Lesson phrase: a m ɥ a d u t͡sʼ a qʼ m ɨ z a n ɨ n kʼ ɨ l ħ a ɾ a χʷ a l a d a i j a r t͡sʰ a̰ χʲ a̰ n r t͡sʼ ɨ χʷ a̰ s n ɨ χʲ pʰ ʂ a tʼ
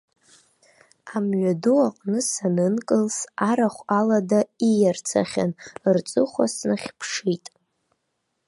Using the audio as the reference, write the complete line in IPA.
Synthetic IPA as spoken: a m ɥ a d u a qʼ n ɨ s a n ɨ n kʼ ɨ l s a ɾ a χʷ a l a d a i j a r t͡sʰ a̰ χʲ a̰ n r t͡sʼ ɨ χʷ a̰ s n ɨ χʲ pʰ ʂ i tʼ